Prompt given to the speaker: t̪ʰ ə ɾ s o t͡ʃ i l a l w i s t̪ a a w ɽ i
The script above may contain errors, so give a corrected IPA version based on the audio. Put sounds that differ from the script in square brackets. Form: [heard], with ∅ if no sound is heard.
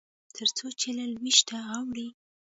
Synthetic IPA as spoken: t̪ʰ ə ɾ [t͡s] o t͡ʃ [e] l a l w i [ʃ] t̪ a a w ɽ i